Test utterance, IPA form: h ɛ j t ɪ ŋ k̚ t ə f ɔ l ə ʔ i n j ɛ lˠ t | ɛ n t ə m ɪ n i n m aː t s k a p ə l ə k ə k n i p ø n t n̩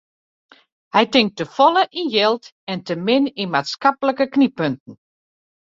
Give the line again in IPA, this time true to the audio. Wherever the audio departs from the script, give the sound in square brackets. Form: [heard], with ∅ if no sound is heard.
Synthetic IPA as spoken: h ɛ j t ɪ ŋ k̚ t ə f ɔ l ə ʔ i n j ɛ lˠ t | ɛ n t ə m ɪ n i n m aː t s k a p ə l ə k ə k n i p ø n t n̩